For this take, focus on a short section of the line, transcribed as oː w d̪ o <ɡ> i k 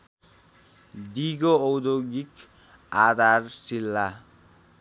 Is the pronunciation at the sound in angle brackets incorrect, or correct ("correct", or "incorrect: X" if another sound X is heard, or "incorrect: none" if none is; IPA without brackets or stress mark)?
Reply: correct